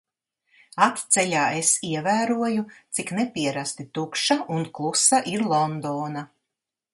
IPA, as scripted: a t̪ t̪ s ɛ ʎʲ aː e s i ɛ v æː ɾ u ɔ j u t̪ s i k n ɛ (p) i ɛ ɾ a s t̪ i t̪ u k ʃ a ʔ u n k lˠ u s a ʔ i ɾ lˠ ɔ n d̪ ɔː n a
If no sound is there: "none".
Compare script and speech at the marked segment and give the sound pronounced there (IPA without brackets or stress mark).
p